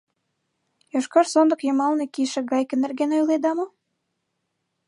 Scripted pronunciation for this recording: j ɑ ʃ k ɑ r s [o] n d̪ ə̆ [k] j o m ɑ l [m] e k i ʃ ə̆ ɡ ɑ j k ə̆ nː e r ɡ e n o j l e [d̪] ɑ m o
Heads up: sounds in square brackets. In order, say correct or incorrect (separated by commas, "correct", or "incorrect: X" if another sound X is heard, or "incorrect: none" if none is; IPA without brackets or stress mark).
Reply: correct, correct, incorrect: n, correct